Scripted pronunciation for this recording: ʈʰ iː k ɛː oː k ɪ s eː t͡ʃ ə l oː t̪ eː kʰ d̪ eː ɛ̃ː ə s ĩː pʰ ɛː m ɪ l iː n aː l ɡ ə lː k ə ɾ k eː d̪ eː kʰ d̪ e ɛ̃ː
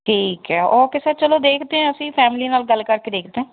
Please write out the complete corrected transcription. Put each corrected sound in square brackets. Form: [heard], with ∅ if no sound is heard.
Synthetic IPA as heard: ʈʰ iː k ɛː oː k ɪ s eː t͡ʃ ə l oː [d̪] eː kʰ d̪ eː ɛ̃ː ə s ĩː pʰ ɛː m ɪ l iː n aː l ɡ ə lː k ə ɾ k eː d̪ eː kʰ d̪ e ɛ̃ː